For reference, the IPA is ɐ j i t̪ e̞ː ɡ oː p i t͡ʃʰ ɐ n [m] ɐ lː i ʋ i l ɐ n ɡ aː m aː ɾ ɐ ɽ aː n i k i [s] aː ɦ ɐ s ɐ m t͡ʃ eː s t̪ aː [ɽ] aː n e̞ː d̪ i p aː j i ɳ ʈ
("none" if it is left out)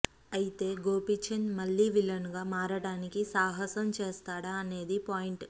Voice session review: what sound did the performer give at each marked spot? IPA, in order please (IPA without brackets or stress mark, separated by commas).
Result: m, s, ɽ